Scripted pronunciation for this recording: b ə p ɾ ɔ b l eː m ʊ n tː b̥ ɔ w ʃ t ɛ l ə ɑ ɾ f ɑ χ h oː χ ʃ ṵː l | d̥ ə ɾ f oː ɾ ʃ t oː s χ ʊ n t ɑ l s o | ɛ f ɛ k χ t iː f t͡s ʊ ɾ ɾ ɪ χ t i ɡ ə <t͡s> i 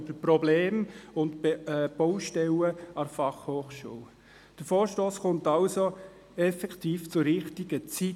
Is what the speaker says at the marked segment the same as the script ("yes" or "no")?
yes